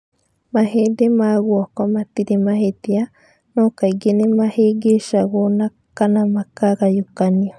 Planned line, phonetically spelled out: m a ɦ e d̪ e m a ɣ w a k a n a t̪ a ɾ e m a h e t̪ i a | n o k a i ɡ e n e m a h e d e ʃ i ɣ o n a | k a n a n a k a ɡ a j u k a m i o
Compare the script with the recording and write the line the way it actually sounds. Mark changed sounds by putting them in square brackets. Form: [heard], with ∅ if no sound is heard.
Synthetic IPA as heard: m a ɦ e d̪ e m a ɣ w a k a [m] a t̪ [i] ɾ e m a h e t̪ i a | n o k a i ɡ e n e m a h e [ɡ] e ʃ [a] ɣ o n a | k a n a [m] a k a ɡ a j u k a [n] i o